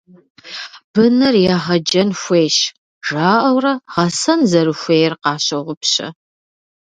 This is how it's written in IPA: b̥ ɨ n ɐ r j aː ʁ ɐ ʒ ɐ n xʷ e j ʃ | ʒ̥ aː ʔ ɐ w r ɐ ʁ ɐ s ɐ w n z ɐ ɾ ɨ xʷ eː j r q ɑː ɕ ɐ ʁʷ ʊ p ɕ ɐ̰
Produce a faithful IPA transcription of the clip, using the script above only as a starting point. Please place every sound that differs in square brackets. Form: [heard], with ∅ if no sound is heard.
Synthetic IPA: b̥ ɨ n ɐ r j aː ʁ ɐ [d͡ʒ] ɐ n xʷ e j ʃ | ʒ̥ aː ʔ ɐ w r ɐ ʁ ɐ s ɐ [∅] n z ɐ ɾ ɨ xʷ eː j r q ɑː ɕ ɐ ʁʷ ʊ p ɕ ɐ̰